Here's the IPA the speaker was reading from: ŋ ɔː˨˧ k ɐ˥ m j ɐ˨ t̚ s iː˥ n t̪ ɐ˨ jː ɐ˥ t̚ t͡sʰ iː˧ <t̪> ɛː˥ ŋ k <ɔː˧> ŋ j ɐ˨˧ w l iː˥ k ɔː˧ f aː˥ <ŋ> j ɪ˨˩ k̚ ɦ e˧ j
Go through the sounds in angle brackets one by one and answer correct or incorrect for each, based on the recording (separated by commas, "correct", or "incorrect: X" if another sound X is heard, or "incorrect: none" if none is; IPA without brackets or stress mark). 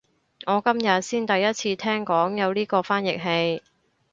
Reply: incorrect: t̪ʰ, incorrect: ɔː˨˥, incorrect: n